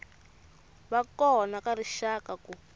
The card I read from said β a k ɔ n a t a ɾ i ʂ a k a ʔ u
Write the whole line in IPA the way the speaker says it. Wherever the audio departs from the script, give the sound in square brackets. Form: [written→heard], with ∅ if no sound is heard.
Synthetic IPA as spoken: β a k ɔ n a [t→k] a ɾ i [ʂ→ʃ] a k a [ʔ→k] u